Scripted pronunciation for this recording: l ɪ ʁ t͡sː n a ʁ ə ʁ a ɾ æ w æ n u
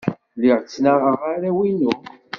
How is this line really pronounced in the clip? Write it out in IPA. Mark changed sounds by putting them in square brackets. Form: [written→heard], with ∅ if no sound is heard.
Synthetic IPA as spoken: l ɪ ʁ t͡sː n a ʁ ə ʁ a ɾ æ w [æ→i] n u